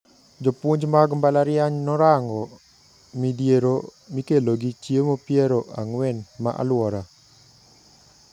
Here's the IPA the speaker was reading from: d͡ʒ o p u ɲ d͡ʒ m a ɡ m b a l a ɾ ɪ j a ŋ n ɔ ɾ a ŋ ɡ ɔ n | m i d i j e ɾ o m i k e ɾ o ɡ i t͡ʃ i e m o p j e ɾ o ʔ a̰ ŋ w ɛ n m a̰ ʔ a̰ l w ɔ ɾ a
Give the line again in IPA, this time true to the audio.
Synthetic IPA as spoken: d͡ʒ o p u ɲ d͡ʒ m a ɡ m b a l a ɾ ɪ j a ɲ n ɔ ɾ a ŋ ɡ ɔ | m i d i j e ɾ o m i k e l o ɡ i t͡ʃ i e m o p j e ɾ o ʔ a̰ ŋ w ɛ n m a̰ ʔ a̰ l w ɔ ɾ a